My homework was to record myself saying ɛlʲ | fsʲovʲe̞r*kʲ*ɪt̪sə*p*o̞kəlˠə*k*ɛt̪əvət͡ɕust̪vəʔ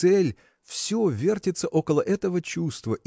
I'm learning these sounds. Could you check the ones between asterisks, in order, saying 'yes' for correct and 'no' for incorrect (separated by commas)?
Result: no, no, no